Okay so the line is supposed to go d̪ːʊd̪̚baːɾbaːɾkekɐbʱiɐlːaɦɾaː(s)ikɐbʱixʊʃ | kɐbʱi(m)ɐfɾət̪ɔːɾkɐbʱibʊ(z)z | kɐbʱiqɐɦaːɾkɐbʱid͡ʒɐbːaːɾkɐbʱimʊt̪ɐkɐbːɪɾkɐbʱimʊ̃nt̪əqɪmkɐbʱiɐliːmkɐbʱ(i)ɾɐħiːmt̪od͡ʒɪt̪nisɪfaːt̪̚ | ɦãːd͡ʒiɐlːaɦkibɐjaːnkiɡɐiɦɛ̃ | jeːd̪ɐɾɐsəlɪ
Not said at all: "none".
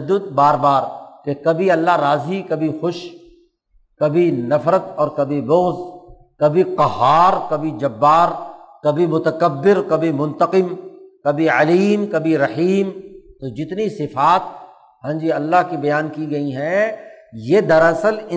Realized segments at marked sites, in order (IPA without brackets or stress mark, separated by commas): z, n, ɣ, i